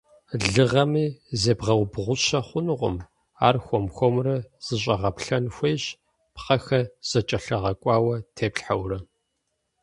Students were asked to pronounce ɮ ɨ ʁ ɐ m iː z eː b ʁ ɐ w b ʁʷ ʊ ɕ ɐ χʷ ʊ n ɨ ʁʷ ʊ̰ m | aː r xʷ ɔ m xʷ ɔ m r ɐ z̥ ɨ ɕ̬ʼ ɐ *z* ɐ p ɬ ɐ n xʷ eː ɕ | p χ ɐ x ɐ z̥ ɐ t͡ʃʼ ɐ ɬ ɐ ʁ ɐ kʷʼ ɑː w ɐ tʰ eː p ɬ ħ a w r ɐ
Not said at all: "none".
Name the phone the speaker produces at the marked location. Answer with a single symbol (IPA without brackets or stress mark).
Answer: ʁ